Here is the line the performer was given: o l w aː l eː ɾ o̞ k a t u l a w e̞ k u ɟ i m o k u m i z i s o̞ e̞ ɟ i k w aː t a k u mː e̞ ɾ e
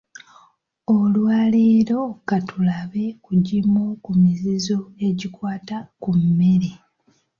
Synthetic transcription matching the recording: o l w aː l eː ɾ o̞ k a t u l a β e̞ k u ɟ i m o k u m i z i z o̞ e̞ ɟ i k w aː t a k u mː e̞ ɾ e